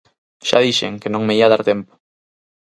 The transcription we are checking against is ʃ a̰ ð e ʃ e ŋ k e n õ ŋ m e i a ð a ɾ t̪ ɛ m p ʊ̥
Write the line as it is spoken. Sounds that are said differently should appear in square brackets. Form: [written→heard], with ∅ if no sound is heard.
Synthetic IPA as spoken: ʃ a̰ ð [e→i] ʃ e ŋ k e n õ ŋ m e i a ð a ɾ t̪ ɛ m p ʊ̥